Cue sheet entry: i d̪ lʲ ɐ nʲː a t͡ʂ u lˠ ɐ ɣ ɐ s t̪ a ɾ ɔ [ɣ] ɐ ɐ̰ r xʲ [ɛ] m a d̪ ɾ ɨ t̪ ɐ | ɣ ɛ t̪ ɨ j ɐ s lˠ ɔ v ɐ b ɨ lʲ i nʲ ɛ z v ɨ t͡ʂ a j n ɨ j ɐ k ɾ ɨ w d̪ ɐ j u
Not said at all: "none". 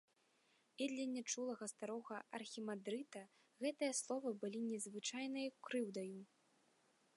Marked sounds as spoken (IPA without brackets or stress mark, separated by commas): ɣ, i